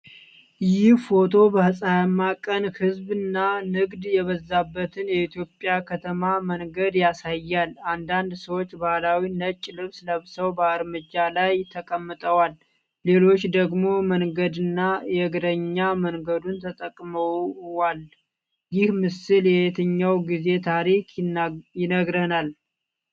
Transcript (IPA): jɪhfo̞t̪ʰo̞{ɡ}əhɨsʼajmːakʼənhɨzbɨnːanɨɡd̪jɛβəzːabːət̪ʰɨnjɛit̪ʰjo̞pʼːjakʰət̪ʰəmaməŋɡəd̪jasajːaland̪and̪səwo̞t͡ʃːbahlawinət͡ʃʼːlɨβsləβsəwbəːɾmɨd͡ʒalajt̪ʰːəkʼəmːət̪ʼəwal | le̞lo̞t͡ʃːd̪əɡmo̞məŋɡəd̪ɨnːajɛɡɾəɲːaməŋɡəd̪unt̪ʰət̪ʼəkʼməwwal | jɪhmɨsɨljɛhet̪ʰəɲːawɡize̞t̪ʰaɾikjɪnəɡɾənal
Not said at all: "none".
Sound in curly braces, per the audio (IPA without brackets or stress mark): b